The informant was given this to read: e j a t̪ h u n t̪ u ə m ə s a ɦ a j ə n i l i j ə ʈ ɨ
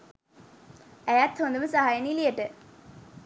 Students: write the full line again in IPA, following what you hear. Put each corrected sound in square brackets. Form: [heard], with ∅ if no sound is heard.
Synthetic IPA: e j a t̪ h [o] n [d̪] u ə m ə s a ɦ a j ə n i l i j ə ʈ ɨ